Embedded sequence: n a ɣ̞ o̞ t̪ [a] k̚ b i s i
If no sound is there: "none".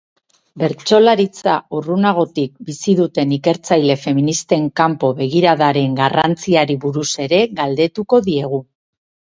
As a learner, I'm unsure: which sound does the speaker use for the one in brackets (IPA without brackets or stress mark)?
i